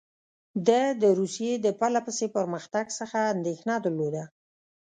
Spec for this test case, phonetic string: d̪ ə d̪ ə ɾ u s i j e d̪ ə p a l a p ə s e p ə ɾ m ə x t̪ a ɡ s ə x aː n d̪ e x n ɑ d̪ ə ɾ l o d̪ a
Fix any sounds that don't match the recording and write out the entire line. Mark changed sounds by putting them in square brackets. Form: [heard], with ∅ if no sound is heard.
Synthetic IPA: d̪ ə d̪ ə ɾ u s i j e d̪ ə p a l a p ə s e p ə ɾ m ə x t̪ a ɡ s ə x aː n d̪ e x n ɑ d̪ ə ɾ l o d̪ a